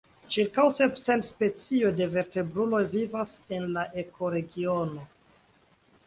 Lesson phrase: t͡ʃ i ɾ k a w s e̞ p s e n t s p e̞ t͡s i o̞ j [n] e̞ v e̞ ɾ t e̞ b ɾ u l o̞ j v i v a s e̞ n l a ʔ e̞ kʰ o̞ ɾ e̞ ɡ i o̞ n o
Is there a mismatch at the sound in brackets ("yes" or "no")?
yes